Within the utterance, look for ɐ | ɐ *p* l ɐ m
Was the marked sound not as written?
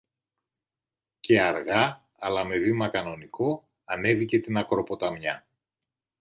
yes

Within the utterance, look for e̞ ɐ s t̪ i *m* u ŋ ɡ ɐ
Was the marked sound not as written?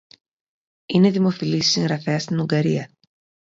yes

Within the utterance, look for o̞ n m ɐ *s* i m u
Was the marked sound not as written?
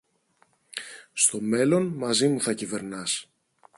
yes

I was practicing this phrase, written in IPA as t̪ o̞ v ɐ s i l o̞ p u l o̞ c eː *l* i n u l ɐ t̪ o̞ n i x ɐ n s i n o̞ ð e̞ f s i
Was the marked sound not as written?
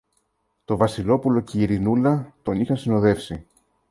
yes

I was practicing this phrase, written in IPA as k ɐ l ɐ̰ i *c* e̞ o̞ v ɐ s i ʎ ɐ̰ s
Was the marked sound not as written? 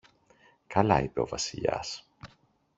yes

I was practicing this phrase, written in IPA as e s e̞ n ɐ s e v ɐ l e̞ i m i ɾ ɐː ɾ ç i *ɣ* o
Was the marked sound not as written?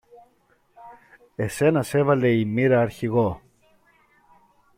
no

